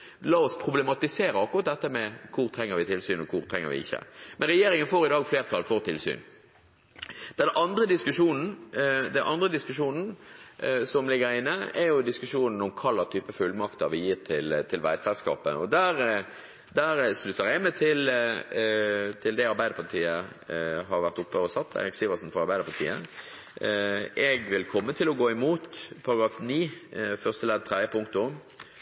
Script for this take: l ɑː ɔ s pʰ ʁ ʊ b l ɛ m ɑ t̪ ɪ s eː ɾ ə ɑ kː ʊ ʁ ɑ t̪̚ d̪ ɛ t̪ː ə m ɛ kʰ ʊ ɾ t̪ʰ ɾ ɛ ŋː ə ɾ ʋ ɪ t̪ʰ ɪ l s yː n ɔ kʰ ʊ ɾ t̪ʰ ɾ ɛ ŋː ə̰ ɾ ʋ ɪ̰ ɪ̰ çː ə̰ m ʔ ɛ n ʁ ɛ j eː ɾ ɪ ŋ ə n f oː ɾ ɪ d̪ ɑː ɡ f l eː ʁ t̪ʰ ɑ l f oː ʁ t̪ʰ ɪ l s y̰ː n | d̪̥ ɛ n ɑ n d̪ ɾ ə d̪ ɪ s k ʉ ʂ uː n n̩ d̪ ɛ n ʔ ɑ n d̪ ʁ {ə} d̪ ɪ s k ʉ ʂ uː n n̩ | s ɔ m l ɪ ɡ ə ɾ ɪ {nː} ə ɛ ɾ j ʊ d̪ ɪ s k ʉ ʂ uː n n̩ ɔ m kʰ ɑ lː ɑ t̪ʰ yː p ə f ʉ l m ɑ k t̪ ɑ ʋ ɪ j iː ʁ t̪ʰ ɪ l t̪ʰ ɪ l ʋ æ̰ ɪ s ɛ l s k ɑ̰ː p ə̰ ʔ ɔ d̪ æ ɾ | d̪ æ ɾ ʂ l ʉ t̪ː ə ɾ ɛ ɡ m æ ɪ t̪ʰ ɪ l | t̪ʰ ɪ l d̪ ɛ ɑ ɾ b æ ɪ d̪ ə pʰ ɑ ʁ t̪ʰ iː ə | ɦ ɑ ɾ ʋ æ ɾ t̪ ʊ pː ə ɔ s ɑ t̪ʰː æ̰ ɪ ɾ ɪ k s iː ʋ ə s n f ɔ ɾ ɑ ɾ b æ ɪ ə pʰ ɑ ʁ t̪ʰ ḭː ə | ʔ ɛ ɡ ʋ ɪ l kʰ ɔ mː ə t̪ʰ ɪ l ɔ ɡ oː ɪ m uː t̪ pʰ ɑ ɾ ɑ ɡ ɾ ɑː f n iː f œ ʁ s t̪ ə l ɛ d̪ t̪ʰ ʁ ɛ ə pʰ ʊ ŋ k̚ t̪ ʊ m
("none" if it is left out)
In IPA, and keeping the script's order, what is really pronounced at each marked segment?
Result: ə, nː

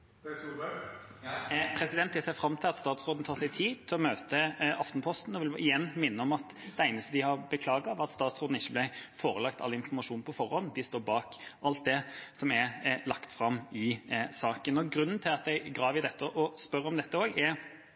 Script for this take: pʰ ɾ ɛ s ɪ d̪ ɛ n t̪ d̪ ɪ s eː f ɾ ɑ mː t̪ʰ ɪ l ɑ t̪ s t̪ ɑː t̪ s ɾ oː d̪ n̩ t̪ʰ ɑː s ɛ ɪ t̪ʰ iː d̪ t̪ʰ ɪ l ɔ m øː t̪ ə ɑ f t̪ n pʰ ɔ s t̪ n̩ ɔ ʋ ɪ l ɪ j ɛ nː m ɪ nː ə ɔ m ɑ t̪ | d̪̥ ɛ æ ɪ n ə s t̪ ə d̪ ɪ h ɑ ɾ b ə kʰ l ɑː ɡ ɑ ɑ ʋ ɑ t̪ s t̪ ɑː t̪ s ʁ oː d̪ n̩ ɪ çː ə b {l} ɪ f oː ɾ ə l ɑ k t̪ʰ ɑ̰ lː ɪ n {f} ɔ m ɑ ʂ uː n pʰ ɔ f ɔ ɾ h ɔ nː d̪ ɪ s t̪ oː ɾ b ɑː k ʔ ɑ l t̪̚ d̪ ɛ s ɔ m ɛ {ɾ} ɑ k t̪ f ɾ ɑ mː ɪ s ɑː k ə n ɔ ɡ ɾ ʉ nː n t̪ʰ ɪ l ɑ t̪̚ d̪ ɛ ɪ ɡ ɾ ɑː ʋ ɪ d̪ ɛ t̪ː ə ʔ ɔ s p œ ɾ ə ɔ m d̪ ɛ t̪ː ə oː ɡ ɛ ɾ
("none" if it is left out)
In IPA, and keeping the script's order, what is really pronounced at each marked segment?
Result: l, f, l

